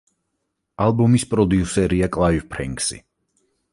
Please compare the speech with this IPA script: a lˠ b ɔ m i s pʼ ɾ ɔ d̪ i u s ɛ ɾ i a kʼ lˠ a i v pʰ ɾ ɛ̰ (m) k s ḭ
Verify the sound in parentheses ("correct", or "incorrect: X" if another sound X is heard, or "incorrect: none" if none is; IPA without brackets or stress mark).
incorrect: ŋ